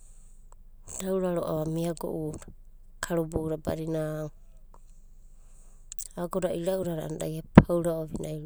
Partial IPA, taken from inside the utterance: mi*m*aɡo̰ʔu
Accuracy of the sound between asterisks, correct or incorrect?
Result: incorrect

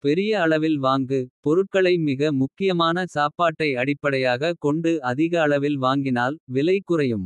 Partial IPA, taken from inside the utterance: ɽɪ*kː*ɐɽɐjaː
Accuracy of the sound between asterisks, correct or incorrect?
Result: incorrect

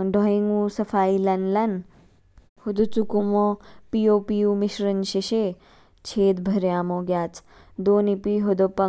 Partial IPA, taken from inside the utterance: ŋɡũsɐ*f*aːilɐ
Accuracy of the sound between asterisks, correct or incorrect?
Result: correct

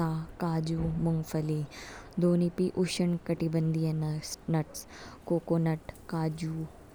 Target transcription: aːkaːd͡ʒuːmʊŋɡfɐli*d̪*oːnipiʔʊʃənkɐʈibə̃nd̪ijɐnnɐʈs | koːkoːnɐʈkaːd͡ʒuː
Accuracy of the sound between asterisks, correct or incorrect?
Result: correct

